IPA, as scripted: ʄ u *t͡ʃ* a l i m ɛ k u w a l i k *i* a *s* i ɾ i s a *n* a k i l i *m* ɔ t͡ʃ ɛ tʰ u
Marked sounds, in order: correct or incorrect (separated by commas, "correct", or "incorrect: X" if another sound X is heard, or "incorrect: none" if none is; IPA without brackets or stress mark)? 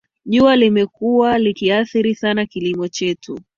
incorrect: none, correct, incorrect: θ, correct, correct